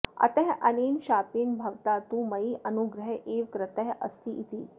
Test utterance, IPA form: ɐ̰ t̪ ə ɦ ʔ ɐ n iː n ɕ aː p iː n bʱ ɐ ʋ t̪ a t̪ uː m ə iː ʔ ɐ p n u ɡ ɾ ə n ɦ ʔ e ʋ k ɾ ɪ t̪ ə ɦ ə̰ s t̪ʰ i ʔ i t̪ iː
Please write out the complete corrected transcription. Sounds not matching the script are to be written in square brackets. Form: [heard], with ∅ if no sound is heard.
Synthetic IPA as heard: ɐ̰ t̪ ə ɦ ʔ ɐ n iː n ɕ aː p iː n bʱ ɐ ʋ t̪ a t̪ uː m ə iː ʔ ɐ [∅] n u ɡ ɾ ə [∅] ɦ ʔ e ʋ k ɾ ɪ t̪ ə ɦ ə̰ s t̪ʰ i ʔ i t̪ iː